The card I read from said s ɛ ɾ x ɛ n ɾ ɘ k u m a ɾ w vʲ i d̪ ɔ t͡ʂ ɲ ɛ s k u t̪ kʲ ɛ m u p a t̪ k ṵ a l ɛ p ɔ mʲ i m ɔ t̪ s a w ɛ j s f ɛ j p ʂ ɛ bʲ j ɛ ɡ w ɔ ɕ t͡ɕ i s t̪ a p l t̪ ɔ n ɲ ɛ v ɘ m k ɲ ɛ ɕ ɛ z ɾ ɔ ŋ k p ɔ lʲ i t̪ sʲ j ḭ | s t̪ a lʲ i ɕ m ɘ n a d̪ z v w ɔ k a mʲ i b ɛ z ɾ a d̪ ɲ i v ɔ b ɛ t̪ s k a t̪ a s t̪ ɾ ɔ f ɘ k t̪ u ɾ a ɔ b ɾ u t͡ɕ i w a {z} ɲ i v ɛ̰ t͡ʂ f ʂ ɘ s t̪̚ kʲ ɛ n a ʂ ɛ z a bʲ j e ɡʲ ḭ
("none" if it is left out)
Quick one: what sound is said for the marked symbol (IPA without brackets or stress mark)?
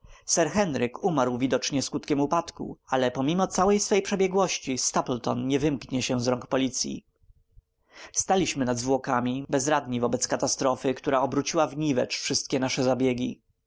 v